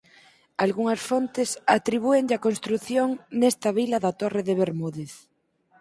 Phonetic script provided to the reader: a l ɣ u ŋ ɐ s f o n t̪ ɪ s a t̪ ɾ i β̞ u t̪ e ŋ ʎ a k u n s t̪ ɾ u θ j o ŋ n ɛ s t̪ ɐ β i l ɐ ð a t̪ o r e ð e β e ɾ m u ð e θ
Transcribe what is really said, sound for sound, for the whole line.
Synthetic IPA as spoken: a l ɣ u ŋ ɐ s f o n t̪ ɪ s a t̪ ɾ i β̞ u e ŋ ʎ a k o n s t̪ ɾ u θ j o ŋ n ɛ s t̪ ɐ β i l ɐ ð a t̪ o r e ð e β e ɾ m u ð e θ